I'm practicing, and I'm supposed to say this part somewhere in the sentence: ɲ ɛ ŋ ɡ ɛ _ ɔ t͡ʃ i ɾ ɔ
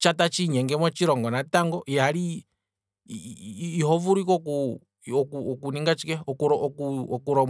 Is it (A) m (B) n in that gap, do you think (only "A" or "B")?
A